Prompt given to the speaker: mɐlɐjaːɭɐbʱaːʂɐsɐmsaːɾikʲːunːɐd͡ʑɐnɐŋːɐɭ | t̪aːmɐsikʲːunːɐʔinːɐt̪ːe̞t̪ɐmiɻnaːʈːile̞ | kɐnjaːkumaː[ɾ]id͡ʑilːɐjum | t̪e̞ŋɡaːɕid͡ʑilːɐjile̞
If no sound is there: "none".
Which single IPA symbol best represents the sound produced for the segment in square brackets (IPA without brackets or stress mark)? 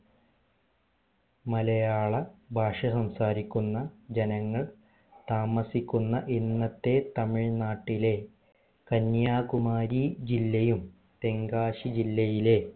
ɾ